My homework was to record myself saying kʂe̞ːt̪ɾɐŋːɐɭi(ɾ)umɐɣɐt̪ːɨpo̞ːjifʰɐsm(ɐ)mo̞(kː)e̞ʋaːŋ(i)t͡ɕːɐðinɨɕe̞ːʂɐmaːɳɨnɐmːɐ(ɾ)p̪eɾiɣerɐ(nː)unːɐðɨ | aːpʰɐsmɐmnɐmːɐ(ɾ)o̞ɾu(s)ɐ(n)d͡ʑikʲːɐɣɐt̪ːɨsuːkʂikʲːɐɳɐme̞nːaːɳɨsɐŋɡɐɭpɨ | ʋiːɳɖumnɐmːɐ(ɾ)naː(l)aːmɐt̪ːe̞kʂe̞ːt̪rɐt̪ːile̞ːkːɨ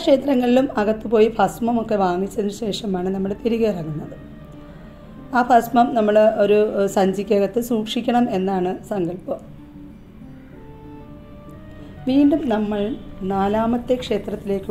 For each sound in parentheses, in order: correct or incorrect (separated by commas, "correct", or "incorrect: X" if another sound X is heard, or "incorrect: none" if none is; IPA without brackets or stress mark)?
incorrect: l, correct, correct, correct, incorrect: ɭ, incorrect: ŋː, incorrect: ɭ, correct, incorrect: ɲ, incorrect: ɭ, correct